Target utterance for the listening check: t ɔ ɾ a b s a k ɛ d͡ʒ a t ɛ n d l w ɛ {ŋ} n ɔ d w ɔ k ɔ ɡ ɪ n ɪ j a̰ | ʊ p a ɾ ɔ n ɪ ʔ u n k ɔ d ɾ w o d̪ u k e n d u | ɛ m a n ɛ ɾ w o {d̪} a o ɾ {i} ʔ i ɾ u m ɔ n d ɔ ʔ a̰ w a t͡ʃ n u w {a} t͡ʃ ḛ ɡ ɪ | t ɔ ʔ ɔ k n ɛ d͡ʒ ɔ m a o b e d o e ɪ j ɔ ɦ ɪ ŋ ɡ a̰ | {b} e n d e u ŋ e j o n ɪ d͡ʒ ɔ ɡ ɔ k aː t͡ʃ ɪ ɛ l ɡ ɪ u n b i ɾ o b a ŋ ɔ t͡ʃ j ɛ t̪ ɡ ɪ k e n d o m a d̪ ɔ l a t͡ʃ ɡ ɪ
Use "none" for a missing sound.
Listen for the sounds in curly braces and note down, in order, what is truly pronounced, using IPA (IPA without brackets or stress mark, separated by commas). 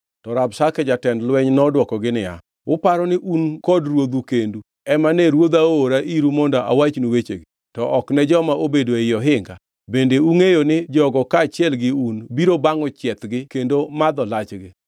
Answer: ɲ, d̪, a, e, b